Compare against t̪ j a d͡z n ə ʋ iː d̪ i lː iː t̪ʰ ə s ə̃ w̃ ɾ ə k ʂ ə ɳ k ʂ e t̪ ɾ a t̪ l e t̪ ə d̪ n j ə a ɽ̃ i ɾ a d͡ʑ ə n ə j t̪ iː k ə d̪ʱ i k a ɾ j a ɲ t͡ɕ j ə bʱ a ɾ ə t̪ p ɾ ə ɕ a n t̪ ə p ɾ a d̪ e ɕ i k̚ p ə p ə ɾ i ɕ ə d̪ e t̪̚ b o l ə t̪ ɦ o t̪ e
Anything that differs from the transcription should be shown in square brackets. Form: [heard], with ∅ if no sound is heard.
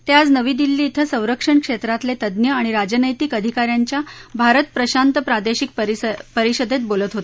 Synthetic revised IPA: t̪ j a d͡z n ə ʋ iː d̪ i lː iː t̪ʰ ə s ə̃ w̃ ɾ ə k ʂ ə ɳ k ʂ e t̪ ɾ a t̪ l e t̪ ə d̪ n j ə a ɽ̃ i ɾ a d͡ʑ ə n ə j t̪ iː k ə d̪ʱ i k a ɾ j a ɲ t͡ɕ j [a] bʱ a ɾ ə t̪ p ɾ ə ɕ a n t̪ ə p ɾ a d̪ e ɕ i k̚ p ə p ə ɾ i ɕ ə d̪ e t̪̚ b o l ə t̪ ɦ o t̪ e